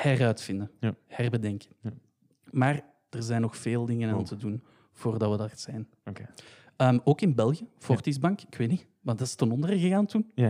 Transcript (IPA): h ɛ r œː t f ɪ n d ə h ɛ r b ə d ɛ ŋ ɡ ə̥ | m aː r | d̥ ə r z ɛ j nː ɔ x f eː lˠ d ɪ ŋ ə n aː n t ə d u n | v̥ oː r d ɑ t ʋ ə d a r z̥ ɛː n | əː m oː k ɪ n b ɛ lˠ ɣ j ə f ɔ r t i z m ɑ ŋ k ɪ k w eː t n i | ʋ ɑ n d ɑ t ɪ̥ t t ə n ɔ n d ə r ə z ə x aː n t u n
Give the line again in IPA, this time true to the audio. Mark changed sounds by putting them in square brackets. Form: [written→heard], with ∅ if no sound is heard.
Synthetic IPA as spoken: h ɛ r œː t f ɪ n d ə h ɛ r b ə d ɛ ŋ [ɡ→k] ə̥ | m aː r | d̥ ə r z ɛ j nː ɔ x f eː lˠ d ɪ ŋ ə n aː n t ə d u n | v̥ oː r d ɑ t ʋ ə d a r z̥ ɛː n | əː m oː k ɪ n b ɛ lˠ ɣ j ə f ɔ r t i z [m→b] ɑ ŋ k ɪ k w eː t n i | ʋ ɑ n d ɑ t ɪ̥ [t→s] t ə n ɔ n d ə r ə [z→ɣ] ə [x→ɣ] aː n t u n